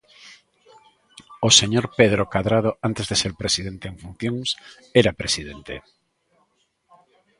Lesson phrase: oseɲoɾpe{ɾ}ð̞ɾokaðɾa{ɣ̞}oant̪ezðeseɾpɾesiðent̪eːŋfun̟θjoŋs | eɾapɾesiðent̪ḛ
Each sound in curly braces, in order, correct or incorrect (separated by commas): incorrect, incorrect